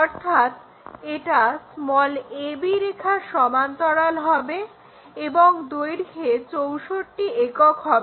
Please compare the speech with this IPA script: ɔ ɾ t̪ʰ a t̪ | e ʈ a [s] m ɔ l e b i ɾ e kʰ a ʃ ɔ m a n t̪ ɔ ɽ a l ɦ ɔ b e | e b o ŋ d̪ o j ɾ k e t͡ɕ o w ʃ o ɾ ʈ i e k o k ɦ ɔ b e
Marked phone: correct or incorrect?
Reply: correct